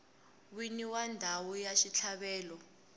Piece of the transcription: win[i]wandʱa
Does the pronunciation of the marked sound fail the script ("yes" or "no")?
no